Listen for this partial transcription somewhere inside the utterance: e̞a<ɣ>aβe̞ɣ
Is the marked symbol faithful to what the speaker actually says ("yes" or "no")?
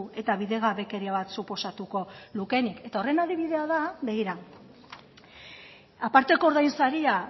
no